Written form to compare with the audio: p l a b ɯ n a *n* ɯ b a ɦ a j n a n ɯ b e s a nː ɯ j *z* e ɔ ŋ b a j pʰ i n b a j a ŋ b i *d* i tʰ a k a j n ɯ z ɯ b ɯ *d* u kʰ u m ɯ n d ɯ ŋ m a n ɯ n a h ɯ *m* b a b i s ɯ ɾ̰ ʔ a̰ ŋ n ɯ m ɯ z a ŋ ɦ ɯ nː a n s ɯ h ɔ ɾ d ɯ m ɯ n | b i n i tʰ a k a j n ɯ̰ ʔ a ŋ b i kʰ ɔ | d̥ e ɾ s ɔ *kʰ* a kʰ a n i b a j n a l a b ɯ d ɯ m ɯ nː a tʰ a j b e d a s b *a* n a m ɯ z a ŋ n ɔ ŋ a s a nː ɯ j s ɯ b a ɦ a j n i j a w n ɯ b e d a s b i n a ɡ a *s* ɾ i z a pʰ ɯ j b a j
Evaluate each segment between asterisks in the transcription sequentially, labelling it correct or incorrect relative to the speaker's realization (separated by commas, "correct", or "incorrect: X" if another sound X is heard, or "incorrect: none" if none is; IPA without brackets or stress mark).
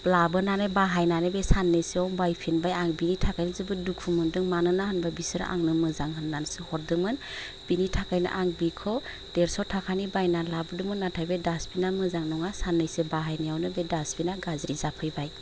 correct, incorrect: s, incorrect: n, correct, incorrect: n, incorrect: tʰ, incorrect: i, incorrect: z